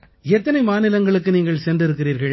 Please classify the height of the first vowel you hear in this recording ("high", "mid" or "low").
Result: mid